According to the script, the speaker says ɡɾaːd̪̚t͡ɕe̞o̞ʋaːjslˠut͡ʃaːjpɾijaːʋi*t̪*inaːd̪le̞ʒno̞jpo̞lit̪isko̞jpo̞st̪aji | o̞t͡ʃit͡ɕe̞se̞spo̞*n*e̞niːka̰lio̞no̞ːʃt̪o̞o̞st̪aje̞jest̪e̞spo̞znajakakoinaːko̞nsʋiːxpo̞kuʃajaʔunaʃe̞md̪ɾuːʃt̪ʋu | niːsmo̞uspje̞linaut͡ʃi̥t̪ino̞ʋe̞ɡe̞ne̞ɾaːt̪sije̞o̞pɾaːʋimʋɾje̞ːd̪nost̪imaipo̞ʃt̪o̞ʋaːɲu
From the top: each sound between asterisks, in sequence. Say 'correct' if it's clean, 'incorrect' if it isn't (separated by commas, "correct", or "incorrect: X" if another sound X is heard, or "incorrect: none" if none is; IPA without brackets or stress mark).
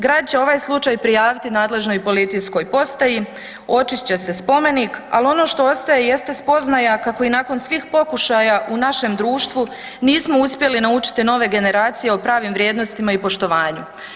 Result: correct, incorrect: m